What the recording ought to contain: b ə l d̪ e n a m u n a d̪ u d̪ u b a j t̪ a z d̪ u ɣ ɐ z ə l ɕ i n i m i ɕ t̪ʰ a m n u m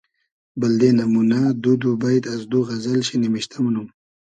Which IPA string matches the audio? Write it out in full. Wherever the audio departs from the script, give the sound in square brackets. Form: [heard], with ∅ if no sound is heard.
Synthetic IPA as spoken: b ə l d̪ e n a m u n a d̪ u d̪ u b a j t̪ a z d̪ u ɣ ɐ z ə l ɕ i n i m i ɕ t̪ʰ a m n u m